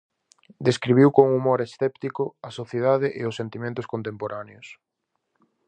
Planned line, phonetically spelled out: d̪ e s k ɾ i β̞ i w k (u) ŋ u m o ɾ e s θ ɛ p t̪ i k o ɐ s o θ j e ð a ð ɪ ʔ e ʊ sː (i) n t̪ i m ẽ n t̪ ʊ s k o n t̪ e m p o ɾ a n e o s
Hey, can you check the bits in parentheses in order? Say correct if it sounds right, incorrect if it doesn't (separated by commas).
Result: incorrect, incorrect